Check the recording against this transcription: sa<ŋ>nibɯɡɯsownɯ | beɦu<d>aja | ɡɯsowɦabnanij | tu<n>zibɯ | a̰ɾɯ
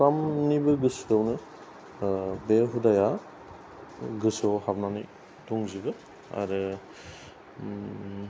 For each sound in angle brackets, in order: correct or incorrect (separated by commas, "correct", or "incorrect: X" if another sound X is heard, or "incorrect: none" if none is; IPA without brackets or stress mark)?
incorrect: m, correct, incorrect: ŋ